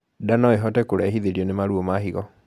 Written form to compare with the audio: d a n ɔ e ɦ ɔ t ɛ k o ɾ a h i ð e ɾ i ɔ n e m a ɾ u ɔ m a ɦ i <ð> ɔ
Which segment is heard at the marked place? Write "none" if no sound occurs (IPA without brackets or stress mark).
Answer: ɣ